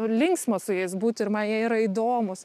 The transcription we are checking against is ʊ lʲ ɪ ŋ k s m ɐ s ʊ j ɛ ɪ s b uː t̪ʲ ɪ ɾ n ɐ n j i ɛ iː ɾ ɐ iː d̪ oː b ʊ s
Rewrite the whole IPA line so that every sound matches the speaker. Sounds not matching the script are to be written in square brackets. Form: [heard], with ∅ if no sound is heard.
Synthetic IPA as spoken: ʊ lʲ ɪ ŋ k s m ɐ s ʊ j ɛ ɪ s b uː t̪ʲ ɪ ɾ [m] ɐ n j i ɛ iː ɾ ɐ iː d̪ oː [m] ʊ s